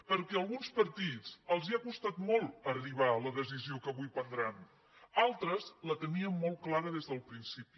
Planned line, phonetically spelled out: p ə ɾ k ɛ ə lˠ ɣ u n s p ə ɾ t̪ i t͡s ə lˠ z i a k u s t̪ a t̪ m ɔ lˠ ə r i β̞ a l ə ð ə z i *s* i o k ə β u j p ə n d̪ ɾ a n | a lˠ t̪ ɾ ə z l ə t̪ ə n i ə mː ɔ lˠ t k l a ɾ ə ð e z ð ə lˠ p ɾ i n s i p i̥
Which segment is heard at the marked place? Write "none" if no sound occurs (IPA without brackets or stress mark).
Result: z